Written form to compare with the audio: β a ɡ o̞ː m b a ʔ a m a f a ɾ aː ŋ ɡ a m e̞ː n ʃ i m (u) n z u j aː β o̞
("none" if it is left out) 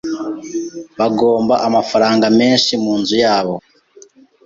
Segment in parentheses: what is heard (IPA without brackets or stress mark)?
uː